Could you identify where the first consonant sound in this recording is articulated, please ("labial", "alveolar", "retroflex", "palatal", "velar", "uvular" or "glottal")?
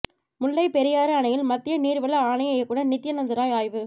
labial